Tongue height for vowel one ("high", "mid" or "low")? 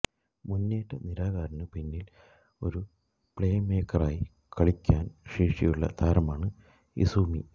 high